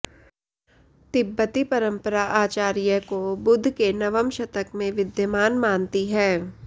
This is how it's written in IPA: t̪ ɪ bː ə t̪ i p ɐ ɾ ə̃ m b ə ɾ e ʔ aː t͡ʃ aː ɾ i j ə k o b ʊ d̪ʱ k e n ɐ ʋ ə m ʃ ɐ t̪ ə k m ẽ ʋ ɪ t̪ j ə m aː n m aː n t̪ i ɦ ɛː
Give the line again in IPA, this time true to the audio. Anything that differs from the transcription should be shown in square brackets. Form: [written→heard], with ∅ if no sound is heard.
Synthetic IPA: t̪ ɪ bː ə t̪ i p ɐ ɾ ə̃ m [b→p] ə ɾ [e→a] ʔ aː t͡ʃ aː ɾ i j ə k o b ʊ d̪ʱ k e n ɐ ʋ ə m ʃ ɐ t̪ ə k m ẽ ʋ ɪ [t̪→d̪] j ə m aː n m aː n t̪ i ɦ ɛː